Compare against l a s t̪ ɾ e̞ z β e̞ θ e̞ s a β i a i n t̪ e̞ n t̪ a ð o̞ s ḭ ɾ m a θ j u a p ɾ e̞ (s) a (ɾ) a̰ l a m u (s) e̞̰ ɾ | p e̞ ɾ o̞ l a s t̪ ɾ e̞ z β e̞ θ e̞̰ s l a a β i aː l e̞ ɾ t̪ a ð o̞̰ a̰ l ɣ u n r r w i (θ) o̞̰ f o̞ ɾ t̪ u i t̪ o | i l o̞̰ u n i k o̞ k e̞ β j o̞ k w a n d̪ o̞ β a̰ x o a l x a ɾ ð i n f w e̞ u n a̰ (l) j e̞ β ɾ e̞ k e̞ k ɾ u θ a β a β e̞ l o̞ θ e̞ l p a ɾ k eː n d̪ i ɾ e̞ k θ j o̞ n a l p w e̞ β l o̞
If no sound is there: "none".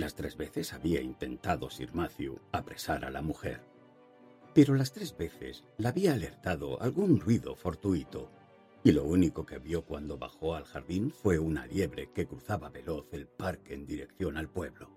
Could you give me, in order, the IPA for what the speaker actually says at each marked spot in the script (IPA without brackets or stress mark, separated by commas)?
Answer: s, ɾ, x, ð, l